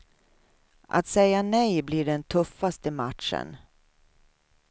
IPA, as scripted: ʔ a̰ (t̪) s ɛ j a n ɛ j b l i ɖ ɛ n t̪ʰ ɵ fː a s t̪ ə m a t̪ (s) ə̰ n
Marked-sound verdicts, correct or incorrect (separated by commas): correct, incorrect